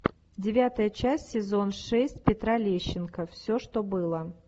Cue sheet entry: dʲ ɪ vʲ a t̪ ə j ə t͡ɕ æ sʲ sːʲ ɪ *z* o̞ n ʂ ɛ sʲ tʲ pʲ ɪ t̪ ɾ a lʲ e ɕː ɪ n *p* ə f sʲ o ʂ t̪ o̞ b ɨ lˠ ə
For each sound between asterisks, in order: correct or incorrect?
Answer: correct, incorrect: k

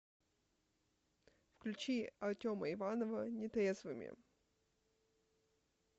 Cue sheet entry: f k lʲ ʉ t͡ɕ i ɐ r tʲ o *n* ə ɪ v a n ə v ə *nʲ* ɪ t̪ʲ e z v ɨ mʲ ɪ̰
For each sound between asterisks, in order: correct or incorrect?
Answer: incorrect: m, correct

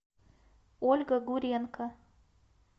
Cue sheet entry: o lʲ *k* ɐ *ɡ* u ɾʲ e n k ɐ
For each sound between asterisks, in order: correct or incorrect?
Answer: incorrect: ɡ, correct

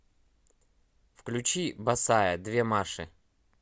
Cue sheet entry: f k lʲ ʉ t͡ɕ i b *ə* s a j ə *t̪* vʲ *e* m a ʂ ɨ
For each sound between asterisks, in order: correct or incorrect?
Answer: incorrect: ɐ, incorrect: d̪, correct

